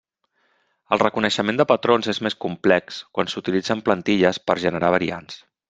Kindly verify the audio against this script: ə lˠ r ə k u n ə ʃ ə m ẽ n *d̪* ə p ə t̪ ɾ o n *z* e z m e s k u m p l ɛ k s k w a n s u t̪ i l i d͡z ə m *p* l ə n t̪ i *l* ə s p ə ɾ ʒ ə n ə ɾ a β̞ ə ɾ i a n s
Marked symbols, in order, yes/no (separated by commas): yes, yes, yes, no